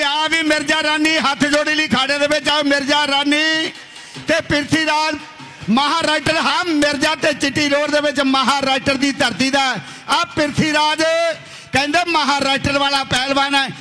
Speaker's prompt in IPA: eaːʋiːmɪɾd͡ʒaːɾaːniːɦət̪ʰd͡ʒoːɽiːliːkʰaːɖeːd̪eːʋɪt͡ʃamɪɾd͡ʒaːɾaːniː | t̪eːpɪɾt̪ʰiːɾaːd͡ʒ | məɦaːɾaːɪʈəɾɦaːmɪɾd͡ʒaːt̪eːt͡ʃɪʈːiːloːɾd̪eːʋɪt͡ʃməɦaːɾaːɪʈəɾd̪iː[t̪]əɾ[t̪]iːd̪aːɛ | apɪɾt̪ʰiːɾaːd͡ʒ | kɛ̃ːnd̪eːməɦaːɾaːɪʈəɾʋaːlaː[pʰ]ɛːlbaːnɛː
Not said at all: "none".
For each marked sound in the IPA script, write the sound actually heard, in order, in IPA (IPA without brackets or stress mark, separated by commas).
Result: t̪, t̪, p